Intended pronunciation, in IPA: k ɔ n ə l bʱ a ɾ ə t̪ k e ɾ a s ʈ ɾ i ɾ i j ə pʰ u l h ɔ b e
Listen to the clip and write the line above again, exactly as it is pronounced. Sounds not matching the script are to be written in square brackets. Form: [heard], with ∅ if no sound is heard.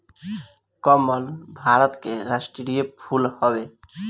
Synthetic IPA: k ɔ [m] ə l bʱ a ɾ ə t̪ k e ɾ a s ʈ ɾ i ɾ i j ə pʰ u l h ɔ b e